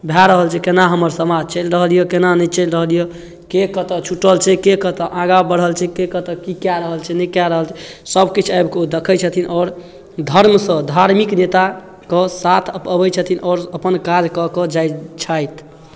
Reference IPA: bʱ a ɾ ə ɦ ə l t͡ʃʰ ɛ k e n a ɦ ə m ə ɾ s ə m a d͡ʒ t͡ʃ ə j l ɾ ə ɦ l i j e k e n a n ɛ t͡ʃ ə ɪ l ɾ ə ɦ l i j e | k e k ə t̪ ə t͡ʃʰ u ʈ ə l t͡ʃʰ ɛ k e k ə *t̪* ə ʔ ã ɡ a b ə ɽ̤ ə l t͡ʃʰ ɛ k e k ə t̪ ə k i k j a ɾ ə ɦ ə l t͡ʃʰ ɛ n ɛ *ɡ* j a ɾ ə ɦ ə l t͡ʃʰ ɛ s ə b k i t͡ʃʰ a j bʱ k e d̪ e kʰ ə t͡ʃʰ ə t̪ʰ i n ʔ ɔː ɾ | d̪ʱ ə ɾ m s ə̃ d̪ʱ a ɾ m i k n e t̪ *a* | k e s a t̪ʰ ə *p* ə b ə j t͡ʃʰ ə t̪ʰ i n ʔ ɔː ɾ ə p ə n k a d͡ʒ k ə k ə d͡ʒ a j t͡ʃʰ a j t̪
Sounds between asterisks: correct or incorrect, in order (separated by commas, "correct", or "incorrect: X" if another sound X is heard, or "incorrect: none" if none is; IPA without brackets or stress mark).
correct, incorrect: k, correct, correct